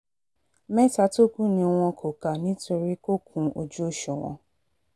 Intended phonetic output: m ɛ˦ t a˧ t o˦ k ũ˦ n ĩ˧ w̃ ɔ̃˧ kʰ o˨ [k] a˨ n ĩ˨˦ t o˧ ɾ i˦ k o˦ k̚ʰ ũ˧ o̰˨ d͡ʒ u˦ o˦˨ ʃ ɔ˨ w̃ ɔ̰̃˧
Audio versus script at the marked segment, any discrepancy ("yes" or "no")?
no